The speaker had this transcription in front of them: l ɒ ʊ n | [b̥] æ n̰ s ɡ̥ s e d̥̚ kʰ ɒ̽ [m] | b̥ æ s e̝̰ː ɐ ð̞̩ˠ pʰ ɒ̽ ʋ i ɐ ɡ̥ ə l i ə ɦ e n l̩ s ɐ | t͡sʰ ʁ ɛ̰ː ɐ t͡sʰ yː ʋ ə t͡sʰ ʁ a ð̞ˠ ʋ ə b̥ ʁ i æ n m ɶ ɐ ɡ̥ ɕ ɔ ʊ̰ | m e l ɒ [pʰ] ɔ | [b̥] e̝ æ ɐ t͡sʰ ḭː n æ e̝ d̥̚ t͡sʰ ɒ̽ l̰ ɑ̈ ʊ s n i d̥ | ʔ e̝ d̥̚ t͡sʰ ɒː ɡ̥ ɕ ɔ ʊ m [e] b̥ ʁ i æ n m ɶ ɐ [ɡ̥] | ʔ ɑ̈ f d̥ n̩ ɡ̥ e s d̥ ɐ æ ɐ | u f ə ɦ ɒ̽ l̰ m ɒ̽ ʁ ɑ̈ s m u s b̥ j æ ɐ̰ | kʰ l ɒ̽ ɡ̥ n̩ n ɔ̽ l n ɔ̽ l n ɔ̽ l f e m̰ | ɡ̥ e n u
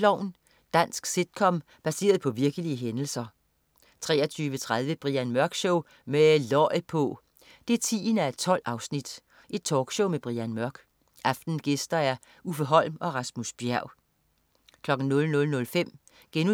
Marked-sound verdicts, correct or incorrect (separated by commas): incorrect, correct, correct, incorrect, correct, correct